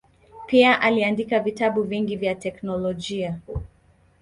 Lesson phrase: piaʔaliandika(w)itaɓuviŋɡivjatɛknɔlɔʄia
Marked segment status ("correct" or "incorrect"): incorrect